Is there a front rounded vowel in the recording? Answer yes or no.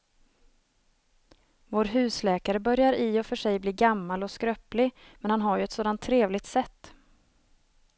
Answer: yes